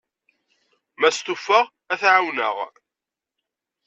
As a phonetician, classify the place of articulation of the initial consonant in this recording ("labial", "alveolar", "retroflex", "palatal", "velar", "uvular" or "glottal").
labial